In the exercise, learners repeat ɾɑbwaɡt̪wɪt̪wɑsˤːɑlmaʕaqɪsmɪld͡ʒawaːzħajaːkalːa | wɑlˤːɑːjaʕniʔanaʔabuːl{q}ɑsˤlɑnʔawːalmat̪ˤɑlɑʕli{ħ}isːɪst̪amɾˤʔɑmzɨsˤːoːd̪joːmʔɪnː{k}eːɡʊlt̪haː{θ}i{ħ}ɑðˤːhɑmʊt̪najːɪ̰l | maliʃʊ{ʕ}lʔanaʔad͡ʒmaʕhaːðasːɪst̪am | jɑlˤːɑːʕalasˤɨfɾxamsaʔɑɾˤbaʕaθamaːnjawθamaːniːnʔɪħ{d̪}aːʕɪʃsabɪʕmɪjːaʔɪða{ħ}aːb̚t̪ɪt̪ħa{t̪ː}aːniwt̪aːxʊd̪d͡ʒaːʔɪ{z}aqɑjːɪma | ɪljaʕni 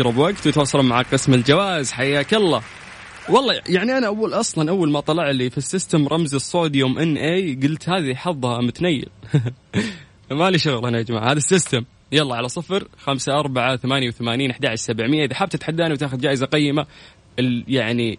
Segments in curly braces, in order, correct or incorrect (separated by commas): incorrect, incorrect, incorrect, incorrect, correct, incorrect, correct, correct, incorrect, correct